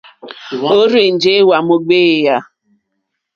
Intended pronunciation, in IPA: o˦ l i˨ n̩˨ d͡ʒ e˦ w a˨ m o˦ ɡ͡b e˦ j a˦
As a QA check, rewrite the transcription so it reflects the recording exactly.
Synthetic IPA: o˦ ɾ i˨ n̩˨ d͡ʒ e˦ w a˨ m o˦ ɡ͡b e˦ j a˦